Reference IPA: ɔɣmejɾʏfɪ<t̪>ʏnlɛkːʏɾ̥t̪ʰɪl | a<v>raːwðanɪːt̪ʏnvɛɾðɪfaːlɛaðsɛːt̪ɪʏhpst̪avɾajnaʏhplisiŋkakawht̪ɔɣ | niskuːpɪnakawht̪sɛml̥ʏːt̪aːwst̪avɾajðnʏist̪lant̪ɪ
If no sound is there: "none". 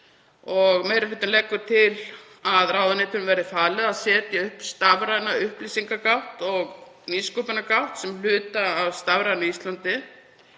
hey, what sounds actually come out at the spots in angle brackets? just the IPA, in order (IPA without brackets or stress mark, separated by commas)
t̪, ð